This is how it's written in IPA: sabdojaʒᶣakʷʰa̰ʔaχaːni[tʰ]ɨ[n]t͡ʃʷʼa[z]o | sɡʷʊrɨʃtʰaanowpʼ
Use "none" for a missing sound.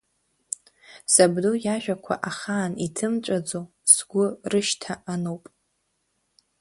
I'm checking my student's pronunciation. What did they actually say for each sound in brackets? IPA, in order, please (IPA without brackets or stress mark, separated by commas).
tʰ, m, d͡z